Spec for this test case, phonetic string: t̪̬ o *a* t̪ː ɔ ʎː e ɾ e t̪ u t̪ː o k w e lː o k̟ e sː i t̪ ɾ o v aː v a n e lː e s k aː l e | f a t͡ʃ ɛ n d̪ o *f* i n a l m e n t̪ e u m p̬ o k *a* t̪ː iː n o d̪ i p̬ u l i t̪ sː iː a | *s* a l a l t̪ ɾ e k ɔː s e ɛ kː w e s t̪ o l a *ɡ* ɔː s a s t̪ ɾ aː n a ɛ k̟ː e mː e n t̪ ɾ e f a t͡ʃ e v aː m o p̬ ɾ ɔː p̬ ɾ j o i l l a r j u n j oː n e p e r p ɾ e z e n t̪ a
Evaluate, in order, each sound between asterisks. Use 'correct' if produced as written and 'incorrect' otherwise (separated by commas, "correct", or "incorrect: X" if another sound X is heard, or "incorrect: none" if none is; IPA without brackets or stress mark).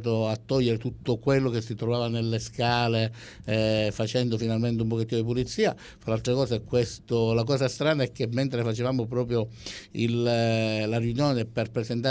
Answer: correct, correct, incorrect: e, incorrect: f, incorrect: k